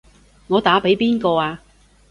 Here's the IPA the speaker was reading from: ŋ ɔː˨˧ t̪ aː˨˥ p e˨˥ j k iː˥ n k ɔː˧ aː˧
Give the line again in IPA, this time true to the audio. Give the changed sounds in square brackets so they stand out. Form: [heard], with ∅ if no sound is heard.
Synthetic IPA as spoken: ŋ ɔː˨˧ t̪ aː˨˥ p e˨˥ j [p] iː˥ n k ɔː˧ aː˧